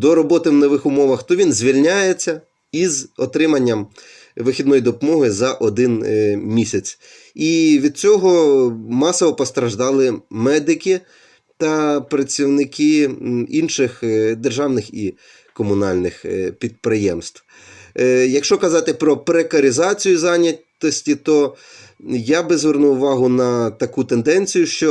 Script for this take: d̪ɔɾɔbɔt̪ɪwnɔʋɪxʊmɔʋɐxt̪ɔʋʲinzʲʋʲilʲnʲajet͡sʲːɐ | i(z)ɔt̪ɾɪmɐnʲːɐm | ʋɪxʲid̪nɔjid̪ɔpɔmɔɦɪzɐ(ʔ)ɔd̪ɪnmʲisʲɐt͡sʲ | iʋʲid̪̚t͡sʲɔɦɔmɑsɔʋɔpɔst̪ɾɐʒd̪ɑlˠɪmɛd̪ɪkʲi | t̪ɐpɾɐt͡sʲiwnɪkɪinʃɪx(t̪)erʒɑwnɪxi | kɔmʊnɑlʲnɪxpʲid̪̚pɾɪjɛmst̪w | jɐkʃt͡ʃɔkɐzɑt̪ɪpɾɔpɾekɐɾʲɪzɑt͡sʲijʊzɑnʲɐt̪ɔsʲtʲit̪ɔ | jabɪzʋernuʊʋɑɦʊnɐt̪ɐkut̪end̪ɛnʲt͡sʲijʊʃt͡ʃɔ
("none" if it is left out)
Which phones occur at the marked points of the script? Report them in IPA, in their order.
z, ʔ, d̪

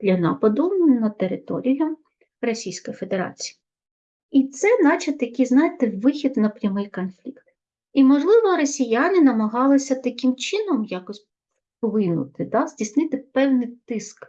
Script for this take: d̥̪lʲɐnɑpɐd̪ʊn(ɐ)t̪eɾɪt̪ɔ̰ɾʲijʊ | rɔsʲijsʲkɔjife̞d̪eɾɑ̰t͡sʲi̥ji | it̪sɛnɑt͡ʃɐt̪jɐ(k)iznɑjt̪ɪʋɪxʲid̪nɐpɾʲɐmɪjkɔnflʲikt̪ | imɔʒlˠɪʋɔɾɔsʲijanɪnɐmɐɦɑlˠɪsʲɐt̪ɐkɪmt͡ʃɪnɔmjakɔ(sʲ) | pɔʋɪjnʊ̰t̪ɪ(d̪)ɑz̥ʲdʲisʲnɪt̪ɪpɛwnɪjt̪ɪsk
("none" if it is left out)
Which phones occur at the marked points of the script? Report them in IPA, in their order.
ɐ, k, sʲ, d̪

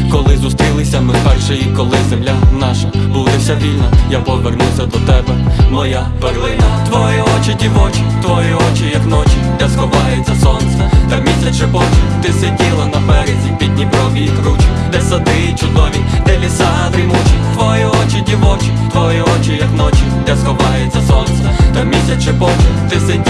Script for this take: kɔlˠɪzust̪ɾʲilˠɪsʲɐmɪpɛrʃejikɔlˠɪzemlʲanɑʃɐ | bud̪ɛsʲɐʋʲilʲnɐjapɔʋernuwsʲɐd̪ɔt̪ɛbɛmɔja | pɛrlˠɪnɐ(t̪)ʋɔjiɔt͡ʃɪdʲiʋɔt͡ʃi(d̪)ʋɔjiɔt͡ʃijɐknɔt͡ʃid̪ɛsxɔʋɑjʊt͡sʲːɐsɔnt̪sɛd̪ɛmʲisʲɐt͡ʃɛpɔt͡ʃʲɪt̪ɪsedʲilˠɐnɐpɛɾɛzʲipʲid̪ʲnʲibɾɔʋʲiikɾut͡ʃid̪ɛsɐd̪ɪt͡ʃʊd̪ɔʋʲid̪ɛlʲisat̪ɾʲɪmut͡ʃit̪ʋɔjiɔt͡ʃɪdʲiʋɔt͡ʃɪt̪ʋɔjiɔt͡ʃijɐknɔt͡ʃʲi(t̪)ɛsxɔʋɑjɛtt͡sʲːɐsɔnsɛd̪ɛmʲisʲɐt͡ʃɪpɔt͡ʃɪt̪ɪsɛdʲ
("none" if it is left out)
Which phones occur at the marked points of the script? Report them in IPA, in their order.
t̪, t̪, d̪

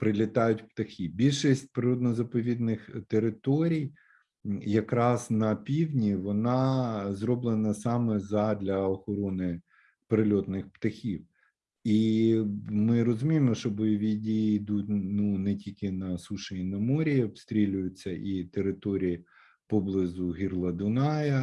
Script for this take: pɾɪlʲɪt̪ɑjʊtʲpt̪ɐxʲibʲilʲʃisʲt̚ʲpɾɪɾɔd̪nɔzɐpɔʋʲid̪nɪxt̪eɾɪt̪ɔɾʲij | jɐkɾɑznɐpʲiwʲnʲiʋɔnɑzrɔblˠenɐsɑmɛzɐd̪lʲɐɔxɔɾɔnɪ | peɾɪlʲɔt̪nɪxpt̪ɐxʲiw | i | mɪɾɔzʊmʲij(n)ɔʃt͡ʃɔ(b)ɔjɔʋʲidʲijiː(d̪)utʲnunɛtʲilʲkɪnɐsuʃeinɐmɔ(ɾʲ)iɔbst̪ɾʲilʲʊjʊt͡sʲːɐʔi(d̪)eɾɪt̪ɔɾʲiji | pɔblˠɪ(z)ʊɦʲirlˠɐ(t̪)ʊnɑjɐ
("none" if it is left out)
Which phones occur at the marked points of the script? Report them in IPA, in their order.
m, b, d̪, ɾʲ, t̪, z, d̪

